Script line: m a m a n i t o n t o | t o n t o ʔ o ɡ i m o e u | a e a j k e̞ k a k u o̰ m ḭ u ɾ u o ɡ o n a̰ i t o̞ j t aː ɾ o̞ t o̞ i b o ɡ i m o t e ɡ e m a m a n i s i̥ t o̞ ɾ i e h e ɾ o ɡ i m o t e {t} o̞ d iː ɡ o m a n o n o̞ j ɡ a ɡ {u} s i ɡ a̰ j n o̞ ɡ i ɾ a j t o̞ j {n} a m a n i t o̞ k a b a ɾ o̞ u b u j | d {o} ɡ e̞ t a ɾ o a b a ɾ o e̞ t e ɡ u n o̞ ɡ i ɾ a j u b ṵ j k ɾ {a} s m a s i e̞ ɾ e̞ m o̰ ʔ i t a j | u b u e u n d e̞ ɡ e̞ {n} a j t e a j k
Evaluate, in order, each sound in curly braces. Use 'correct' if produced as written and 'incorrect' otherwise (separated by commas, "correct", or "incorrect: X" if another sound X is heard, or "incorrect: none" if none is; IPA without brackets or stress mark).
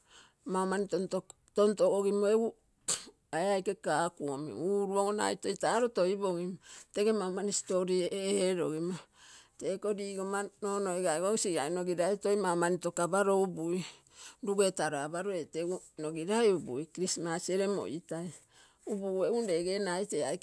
incorrect: k, incorrect: o, incorrect: m, incorrect: u, incorrect: i, correct